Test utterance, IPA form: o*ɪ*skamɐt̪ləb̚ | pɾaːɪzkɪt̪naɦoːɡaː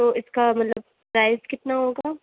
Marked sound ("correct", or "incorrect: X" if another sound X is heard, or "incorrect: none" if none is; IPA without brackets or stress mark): correct